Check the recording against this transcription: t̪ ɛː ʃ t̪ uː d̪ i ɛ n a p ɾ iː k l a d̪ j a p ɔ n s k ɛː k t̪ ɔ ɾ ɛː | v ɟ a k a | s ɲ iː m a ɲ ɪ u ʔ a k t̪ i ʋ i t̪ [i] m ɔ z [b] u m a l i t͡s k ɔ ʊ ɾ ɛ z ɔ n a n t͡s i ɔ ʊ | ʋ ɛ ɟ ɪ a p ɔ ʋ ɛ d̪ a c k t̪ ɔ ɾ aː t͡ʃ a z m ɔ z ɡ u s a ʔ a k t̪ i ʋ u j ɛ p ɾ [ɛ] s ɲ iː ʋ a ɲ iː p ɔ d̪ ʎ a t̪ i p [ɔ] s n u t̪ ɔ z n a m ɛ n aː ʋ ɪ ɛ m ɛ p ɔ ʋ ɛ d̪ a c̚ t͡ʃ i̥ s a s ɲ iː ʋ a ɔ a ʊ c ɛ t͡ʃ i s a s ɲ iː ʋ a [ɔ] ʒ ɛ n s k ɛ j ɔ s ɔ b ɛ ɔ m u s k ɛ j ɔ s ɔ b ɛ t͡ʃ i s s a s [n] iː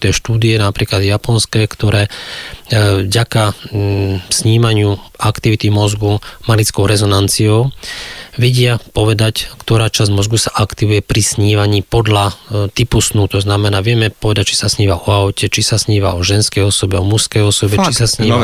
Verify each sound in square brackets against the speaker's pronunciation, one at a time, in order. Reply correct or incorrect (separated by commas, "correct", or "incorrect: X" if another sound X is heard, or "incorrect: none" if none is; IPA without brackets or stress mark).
correct, incorrect: ɡ, incorrect: i, incorrect: u, correct, incorrect: ɲ